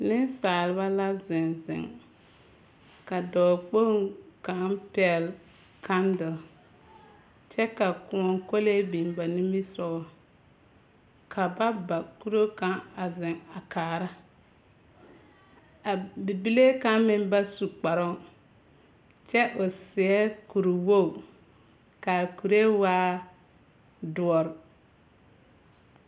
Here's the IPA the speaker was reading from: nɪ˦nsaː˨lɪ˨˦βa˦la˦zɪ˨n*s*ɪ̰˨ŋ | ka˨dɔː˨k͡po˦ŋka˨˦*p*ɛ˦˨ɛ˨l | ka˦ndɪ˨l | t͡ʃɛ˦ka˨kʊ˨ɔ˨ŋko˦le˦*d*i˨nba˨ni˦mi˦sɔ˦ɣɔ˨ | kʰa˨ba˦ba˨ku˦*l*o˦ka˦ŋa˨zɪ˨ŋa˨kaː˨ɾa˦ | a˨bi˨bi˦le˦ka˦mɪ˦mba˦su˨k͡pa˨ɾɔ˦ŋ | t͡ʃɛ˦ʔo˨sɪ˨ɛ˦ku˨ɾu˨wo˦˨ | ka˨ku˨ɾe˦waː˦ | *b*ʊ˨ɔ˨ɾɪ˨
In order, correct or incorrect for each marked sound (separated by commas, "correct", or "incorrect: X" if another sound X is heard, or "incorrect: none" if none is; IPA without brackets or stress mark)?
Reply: incorrect: z, correct, incorrect: b, incorrect: ɾ, incorrect: d